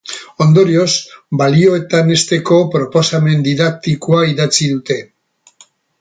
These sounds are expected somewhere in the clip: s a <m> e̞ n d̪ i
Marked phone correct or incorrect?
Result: correct